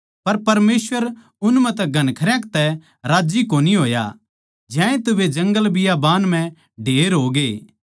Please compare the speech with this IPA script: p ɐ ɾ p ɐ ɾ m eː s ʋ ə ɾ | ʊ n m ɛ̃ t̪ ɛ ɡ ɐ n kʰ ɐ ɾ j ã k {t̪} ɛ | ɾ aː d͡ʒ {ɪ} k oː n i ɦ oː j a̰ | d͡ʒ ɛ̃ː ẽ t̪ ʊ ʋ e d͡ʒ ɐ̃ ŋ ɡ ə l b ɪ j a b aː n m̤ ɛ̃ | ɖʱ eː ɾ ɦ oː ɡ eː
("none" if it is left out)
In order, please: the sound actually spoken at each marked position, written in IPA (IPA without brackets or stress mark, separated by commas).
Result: t̪, i